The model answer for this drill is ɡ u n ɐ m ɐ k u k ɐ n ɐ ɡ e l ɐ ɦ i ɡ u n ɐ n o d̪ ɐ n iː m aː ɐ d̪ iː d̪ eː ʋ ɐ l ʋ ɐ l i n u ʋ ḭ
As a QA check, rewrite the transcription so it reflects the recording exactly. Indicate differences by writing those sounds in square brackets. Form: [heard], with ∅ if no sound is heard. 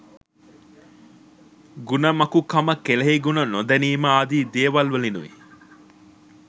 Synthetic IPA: ɡ u n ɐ m ɐ k u k ɐ [m] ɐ [k] e l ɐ ɦ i ɡ u n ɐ n o d̪ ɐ n iː m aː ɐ d̪ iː d̪ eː ʋ ɐ l ʋ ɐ l i n u ʋ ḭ